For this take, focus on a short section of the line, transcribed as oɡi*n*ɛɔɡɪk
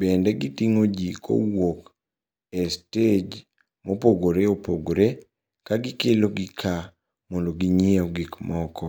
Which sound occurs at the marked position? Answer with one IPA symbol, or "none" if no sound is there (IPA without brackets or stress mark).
ɲ